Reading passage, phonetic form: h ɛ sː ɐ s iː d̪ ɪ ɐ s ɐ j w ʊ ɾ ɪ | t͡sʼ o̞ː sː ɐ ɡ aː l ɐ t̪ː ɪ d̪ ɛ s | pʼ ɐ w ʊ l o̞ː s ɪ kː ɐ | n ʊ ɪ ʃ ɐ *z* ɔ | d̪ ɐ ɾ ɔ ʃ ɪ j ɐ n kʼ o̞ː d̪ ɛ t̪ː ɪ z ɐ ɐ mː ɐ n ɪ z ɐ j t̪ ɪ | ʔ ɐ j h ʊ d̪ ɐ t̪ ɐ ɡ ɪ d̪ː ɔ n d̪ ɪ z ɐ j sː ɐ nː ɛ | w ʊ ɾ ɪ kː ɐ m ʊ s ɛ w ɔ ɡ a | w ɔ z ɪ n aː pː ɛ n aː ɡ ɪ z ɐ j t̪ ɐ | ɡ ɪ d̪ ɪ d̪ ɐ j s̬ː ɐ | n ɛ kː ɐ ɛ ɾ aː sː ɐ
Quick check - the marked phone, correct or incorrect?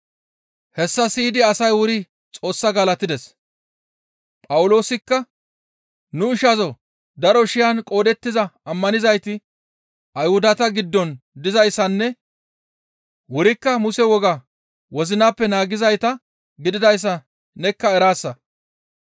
correct